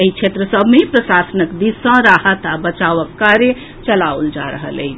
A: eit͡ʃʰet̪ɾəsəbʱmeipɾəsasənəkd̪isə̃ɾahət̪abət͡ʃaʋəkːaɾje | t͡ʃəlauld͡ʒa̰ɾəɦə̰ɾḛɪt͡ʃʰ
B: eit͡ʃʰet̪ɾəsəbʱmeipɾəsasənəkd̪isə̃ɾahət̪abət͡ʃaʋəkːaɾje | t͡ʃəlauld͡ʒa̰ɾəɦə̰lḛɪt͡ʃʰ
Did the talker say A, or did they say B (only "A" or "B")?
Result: B